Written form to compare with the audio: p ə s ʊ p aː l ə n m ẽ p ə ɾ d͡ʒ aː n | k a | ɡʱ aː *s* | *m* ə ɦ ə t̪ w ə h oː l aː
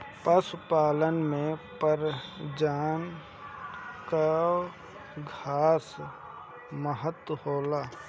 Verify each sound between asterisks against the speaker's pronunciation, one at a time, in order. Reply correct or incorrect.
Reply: correct, correct

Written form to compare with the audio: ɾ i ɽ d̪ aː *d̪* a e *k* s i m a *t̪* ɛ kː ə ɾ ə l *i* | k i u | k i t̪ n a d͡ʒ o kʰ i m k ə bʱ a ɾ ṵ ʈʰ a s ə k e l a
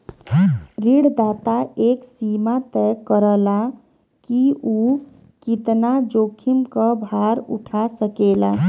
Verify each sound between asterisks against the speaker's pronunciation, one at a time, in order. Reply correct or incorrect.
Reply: incorrect, correct, correct, incorrect

